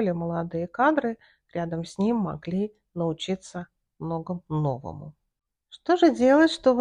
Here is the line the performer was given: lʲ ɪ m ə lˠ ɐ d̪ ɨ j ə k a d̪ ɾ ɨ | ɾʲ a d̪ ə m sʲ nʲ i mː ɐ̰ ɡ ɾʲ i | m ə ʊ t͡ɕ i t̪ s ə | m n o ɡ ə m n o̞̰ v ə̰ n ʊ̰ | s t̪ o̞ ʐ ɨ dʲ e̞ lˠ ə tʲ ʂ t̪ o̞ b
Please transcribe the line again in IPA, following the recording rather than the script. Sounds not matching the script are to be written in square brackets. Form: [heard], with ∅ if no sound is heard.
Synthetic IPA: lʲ ɪ m ə lˠ ɐ d̪ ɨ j ə k a d̪ ɾ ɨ | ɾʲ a d̪ ə m sʲ nʲ i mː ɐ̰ ɡ [lʲ] i | [n] ə ʊ t͡ɕ i t̪ s ə | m n o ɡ ə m n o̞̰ v ə̰ [m] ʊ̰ | [ʂ] t̪ o̞ ʐ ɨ dʲ e̞ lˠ ə tʲ ʂ t̪ o̞ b